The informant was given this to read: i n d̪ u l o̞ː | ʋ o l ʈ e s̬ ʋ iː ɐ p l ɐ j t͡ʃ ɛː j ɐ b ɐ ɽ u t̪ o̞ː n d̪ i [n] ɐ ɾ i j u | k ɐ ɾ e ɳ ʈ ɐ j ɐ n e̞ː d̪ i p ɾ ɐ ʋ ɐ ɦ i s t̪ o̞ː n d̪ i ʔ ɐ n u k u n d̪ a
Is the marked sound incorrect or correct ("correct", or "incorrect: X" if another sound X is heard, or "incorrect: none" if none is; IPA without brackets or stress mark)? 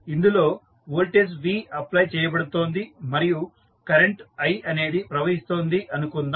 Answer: incorrect: m